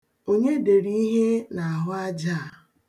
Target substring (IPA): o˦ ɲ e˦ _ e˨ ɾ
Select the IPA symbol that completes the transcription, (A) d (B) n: A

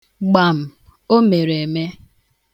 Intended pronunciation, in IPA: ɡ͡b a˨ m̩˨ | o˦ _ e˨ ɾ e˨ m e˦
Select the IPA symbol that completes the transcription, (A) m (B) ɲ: A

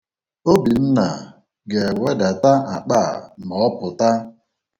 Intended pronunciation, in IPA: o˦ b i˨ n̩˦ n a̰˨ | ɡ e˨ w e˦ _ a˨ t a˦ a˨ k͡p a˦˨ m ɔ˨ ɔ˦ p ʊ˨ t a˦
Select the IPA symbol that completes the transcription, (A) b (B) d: B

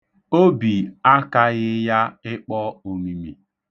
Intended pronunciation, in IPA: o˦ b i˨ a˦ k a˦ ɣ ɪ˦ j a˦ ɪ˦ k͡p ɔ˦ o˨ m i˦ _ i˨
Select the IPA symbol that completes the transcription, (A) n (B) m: B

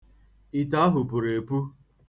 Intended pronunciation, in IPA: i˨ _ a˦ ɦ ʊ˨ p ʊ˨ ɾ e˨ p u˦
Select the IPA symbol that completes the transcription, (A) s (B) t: B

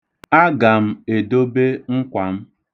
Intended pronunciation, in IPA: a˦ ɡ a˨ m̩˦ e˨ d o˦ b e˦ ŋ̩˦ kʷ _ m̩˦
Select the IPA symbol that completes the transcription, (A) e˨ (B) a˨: B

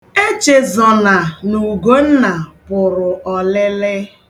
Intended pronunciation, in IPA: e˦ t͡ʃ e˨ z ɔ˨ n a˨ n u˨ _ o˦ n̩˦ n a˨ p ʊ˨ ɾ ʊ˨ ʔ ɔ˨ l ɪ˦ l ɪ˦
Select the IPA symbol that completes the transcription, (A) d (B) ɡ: B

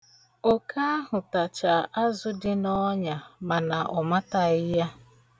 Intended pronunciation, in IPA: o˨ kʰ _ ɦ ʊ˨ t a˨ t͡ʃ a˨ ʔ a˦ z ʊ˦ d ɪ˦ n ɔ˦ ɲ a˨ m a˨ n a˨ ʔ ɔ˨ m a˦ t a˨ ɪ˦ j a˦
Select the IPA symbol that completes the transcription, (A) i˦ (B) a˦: B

